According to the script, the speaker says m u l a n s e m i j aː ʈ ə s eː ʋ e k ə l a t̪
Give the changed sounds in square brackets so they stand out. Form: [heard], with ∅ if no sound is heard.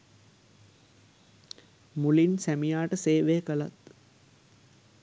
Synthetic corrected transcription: m u l [i] n s [æ] m i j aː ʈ ə s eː ʋ e k ə l a t̪